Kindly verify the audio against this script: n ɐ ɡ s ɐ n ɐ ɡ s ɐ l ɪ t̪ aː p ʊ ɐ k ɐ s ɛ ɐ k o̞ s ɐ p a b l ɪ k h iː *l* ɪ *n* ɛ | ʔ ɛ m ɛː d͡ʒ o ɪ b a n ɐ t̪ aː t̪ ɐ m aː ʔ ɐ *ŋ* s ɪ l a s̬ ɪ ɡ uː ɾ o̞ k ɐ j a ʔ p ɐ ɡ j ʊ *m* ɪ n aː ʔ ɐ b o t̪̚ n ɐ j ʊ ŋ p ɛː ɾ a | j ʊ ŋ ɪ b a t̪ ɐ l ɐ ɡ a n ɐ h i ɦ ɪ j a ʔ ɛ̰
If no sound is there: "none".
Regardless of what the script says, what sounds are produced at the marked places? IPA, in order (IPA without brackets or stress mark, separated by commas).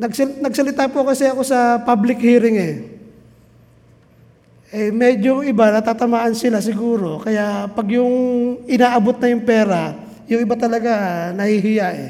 ɾ, ŋ, n, ŋ